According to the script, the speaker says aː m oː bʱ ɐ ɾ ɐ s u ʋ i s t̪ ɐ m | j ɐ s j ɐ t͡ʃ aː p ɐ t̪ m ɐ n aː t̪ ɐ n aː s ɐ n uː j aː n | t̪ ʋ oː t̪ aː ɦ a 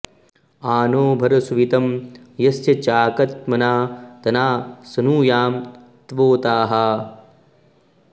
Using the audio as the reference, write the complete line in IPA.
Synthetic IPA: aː n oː bʱ ɐ ɾ ɐ s u ʋ i t̪ ɐ m | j ɐ s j ɐ t͡ʃ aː k ɐ t̪ m ɐ n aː t̪ ɐ n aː s ɐ n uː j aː m | t̪ ʋ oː t̪ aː ɦ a